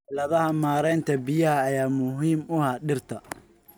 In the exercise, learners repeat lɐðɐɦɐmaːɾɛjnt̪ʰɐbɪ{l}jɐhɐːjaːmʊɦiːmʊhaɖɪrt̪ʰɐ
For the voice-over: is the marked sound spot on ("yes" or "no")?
no